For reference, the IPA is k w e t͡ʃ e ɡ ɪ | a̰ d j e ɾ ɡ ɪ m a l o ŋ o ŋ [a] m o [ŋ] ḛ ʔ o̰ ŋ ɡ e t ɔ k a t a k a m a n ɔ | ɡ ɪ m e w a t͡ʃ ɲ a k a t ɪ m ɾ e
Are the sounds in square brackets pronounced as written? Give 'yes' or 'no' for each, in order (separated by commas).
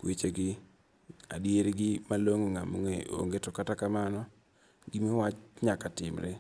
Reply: yes, yes